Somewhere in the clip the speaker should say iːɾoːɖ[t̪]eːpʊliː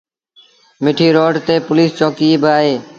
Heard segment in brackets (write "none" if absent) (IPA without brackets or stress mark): t̪